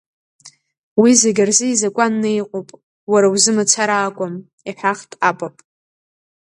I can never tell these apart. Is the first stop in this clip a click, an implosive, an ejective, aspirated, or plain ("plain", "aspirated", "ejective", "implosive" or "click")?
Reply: plain